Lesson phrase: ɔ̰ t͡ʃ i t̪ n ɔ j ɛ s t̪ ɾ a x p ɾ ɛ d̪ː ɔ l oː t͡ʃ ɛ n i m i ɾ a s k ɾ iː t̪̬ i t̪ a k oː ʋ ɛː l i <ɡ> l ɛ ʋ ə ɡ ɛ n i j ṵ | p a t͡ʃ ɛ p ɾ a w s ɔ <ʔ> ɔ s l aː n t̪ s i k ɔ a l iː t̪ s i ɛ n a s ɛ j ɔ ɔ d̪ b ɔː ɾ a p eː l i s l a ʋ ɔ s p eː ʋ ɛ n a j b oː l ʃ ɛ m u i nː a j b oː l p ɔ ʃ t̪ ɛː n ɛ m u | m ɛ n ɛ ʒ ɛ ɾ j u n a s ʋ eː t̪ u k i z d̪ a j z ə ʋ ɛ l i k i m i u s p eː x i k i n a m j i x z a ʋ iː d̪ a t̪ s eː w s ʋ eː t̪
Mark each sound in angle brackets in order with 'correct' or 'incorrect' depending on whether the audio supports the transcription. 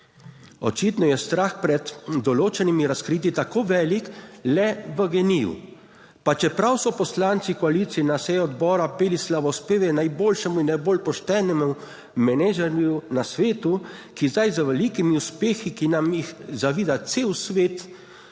incorrect: k, incorrect: p

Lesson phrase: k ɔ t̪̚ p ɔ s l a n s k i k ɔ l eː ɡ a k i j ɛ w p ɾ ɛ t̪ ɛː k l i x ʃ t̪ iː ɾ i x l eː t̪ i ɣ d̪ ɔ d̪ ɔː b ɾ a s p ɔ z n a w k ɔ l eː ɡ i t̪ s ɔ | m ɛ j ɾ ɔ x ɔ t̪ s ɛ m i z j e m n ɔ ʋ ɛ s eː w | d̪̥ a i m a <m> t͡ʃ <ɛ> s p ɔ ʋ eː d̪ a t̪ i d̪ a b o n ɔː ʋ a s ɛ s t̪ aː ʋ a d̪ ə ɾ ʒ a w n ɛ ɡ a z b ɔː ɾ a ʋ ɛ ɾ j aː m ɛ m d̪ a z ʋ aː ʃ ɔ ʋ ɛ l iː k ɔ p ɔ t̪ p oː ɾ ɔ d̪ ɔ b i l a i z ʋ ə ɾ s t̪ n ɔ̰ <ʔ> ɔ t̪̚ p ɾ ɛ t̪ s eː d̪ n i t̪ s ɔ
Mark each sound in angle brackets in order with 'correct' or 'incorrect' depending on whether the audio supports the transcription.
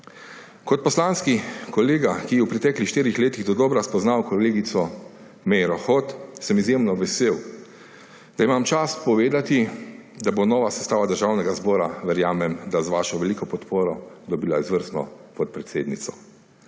correct, incorrect: a, incorrect: p

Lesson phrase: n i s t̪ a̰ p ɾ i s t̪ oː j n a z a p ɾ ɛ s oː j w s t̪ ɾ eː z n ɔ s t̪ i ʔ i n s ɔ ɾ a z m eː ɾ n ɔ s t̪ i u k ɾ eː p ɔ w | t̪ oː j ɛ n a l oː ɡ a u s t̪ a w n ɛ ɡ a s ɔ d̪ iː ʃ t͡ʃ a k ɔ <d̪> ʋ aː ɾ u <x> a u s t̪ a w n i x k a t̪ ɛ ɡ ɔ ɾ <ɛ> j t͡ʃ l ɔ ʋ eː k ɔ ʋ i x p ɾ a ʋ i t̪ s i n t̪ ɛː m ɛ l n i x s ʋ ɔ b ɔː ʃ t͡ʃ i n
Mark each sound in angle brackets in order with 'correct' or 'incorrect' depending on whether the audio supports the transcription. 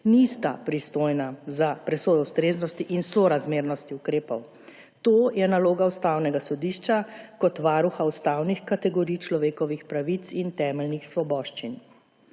incorrect: t̪, correct, incorrect: i

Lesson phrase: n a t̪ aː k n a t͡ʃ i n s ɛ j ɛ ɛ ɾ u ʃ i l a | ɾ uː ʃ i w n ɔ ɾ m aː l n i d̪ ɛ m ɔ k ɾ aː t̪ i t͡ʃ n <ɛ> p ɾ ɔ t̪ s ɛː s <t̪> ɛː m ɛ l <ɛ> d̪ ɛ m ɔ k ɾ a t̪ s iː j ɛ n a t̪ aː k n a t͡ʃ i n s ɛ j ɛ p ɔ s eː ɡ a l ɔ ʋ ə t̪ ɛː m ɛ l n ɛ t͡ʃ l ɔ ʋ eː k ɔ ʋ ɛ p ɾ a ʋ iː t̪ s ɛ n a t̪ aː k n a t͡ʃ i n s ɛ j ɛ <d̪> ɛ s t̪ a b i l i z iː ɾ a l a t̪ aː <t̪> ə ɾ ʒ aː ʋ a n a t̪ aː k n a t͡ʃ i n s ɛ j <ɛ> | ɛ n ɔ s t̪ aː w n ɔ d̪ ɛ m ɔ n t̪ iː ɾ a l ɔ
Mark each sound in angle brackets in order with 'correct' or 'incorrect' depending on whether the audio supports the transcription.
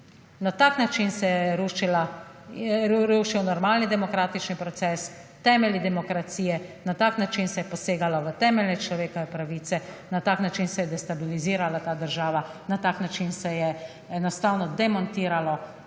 incorrect: i, correct, incorrect: i, correct, incorrect: d̪, correct

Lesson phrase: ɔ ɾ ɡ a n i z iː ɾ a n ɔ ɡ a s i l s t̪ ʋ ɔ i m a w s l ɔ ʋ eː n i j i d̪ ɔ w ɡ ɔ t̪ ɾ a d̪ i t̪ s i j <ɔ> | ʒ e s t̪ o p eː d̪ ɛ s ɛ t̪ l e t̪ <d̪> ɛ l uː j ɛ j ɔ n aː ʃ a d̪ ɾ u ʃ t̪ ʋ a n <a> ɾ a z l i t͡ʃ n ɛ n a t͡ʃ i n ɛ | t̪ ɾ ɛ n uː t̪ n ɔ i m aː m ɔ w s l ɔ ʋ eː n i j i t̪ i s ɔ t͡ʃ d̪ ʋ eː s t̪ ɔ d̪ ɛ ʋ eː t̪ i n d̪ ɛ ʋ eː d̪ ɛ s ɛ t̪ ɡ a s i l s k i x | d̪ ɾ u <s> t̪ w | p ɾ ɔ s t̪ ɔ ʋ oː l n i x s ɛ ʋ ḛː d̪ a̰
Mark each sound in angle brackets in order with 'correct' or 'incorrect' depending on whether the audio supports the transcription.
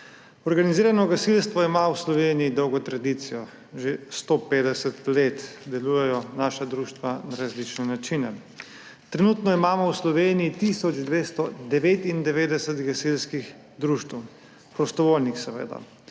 correct, correct, correct, incorrect: ʃ

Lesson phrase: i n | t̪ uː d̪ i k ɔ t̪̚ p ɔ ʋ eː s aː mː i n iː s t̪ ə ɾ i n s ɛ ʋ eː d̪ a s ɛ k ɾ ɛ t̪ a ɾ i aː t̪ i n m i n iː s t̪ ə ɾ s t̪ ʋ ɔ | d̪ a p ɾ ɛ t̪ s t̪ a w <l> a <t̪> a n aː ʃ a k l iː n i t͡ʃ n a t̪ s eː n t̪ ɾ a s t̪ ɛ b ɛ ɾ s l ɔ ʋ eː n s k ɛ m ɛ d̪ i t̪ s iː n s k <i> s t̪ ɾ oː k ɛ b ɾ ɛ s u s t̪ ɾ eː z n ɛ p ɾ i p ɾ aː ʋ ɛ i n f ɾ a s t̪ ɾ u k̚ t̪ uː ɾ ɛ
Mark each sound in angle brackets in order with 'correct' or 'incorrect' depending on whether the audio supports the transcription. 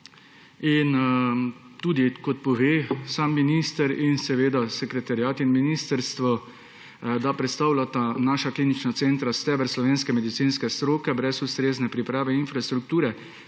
correct, correct, incorrect: ɛ

